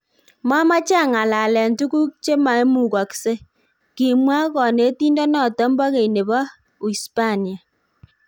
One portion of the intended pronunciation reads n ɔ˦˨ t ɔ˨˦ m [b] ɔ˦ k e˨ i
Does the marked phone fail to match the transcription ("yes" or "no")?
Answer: no